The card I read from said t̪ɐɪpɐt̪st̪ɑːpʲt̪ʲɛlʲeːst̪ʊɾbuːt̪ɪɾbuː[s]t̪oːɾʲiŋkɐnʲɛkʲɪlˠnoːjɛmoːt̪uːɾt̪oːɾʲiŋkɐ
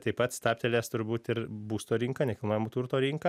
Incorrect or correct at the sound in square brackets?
correct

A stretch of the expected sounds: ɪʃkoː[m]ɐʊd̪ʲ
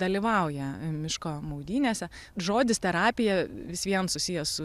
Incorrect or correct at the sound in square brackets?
correct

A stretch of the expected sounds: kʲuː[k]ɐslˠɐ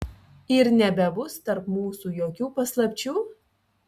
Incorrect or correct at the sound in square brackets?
incorrect: p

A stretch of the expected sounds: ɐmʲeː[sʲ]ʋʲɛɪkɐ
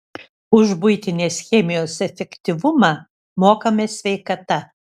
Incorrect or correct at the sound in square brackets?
correct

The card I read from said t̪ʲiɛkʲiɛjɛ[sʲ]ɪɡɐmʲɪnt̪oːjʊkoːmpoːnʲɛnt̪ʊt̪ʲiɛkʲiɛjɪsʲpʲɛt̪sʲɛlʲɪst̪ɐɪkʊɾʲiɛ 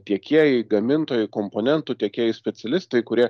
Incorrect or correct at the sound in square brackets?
incorrect: none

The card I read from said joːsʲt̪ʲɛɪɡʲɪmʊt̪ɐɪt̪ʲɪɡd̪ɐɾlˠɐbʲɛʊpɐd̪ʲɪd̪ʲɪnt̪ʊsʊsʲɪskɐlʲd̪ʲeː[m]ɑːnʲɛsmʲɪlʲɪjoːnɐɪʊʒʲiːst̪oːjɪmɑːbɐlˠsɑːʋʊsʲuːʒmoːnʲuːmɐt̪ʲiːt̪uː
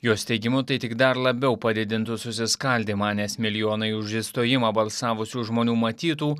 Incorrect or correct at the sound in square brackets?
correct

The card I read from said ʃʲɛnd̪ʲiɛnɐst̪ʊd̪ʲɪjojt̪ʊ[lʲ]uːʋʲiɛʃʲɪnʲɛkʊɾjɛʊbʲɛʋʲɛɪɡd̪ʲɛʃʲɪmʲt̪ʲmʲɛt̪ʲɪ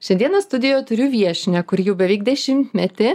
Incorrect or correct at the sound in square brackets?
incorrect: ɾʲ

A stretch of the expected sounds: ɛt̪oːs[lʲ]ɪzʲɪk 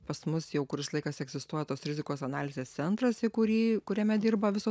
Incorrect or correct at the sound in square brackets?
incorrect: ɾʲ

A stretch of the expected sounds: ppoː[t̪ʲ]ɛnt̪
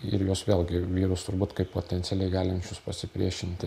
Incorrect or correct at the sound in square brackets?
correct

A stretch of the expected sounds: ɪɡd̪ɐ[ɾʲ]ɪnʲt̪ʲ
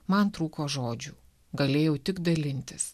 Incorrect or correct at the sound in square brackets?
incorrect: lʲ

